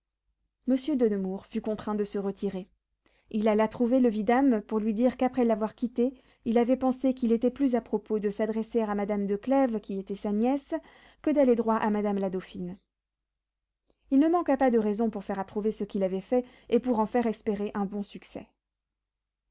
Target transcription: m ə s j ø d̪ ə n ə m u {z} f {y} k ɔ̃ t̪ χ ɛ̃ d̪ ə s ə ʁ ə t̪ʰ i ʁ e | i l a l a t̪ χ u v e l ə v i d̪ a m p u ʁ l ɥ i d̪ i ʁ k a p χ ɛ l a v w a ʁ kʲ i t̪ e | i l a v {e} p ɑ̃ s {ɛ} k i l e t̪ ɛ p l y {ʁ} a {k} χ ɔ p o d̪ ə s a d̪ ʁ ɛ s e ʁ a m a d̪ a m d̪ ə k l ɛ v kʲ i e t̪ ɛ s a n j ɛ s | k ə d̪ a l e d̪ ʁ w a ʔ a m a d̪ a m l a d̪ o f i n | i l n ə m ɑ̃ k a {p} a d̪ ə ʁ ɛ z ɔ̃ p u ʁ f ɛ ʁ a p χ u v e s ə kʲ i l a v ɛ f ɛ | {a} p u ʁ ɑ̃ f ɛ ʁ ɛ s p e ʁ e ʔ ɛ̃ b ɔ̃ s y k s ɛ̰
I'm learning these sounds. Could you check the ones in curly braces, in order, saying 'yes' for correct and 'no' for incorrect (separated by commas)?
no, yes, no, no, no, no, yes, no